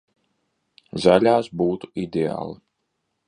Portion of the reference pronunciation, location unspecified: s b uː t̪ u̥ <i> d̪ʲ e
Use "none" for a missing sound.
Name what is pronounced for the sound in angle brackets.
i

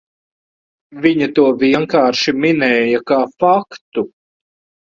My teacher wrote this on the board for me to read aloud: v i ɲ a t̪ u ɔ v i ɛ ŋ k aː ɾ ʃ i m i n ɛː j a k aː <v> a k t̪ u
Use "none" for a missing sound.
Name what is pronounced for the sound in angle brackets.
f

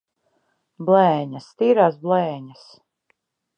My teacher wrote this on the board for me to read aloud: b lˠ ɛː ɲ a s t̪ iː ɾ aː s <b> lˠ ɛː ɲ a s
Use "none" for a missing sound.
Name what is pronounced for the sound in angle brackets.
b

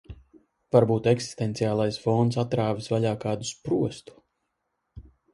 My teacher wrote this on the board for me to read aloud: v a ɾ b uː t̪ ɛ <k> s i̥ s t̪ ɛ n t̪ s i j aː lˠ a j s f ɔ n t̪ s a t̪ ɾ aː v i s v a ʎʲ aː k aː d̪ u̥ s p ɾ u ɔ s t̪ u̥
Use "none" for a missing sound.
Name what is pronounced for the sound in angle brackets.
k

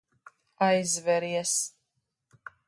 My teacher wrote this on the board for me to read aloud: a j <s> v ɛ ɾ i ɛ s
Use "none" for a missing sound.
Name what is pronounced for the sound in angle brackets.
z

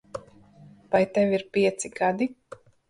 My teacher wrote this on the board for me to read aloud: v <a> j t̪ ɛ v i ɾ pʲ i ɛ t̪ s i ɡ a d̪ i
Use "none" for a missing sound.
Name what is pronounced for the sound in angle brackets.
a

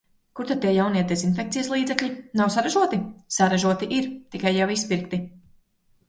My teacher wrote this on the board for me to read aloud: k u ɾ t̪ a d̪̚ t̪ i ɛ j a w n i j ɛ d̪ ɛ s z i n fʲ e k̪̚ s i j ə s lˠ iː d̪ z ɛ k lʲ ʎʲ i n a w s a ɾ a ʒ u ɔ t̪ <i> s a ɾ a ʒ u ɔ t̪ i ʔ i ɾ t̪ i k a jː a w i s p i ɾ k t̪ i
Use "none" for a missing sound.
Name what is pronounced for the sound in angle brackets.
i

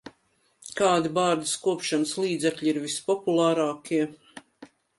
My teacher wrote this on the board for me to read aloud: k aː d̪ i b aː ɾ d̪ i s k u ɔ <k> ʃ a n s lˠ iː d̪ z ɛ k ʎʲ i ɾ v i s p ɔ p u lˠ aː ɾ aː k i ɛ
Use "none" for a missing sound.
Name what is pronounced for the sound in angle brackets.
p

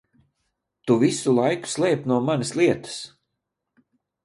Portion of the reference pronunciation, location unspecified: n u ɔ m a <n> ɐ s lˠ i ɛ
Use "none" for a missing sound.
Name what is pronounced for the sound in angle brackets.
n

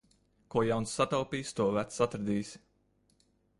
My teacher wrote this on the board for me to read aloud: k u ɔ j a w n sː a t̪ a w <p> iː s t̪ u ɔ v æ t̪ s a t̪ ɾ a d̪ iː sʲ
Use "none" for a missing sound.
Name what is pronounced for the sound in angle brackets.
p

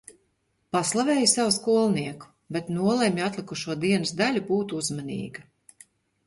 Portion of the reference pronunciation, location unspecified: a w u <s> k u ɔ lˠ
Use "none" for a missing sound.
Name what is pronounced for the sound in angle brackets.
s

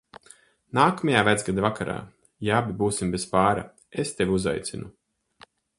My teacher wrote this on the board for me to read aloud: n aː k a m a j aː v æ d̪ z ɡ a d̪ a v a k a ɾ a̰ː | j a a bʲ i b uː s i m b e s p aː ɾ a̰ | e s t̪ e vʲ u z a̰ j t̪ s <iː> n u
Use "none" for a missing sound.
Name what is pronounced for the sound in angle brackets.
i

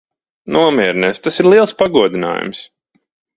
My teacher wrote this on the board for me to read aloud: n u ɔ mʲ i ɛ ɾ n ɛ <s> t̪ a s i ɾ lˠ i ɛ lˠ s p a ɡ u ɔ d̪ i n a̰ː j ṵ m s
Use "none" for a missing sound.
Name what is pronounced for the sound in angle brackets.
s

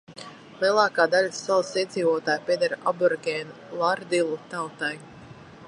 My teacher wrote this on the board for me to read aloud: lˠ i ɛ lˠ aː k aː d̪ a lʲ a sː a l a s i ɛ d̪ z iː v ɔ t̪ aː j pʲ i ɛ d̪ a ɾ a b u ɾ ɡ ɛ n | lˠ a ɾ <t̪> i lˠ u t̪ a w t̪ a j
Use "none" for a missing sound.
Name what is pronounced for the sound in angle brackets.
d̪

